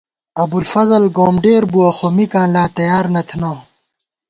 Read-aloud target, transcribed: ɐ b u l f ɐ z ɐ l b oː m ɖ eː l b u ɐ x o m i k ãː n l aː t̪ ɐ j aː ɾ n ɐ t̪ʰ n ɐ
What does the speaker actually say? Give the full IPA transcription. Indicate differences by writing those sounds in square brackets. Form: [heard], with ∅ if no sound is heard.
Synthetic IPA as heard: ɐ b u l f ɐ z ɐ l [ɡ] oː m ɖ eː [ɾ] b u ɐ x o m i k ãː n l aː t̪ ɐ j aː ɾ n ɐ t̪ʰ n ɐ